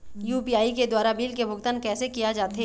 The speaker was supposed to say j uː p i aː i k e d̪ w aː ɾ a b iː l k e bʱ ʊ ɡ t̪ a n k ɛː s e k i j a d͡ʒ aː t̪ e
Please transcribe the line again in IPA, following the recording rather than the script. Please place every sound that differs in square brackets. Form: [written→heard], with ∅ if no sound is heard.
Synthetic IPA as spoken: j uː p i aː i k e d̪ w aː ɾ a b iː l k e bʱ ʊ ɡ t̪ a n k ɛː s e k i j a d͡ʒ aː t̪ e

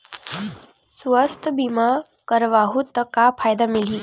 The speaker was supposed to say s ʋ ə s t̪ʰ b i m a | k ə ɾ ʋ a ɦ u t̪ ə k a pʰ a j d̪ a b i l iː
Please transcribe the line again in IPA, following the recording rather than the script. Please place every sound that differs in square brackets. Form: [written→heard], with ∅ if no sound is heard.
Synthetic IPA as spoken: s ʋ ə s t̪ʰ b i m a | k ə ɾ ʋ a ɦ u t̪ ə k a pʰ a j d̪ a [b→m] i l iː

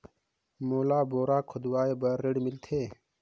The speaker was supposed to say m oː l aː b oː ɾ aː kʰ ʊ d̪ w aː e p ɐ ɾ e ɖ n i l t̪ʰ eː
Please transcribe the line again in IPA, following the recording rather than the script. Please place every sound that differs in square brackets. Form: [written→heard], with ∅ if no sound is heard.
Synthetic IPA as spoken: m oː l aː b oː ɾ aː kʰ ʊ d̪ w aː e [p→b] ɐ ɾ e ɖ [n→m] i l t̪ʰ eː

